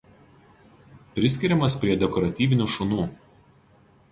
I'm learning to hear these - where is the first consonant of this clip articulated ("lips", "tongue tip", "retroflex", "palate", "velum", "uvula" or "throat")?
lips